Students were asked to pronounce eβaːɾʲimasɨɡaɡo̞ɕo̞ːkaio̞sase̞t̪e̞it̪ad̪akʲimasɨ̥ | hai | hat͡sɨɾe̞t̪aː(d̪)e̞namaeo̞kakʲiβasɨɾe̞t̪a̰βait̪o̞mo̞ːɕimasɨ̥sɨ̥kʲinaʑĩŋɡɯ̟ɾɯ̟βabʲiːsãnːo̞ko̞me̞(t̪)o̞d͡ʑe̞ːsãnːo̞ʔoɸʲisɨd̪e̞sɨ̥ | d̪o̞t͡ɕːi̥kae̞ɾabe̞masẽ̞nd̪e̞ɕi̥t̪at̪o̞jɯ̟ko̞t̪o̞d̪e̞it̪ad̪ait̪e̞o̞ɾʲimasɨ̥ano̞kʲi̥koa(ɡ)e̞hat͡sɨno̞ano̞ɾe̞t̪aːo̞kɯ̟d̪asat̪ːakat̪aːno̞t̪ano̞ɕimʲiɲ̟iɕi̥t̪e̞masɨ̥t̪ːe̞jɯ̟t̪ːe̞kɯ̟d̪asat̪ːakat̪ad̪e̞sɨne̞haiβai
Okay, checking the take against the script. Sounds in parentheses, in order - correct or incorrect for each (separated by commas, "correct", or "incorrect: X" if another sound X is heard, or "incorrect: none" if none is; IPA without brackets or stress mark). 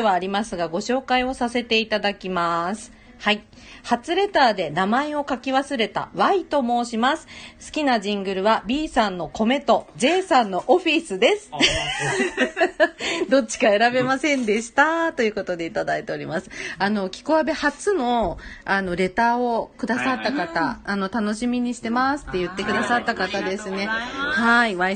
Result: correct, correct, incorrect: b